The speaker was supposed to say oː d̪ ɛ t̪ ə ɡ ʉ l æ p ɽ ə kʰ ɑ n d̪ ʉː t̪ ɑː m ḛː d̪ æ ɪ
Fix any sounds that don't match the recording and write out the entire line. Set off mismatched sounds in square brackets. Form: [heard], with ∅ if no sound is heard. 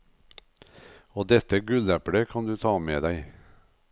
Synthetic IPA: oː d̪ ɛ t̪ ə ɡ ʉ l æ p ɽ ə kʰ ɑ n d̪ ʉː [t̪ʰ] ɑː m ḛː d̪ æ ɪ